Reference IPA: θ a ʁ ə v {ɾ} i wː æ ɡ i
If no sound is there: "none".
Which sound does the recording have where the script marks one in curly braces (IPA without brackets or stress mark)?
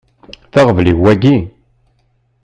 l